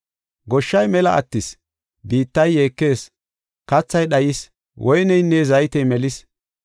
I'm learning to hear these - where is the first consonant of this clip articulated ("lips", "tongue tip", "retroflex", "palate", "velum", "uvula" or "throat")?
velum